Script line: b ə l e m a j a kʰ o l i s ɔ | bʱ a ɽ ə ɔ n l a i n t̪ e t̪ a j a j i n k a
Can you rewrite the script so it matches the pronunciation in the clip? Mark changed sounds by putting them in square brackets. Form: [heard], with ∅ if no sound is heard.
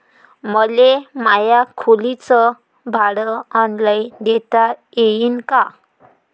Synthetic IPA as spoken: [m] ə l e m a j a kʰ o l i [t͡s] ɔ | bʱ a ɽ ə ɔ n l a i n [d̪] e t̪ a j [e] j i n k a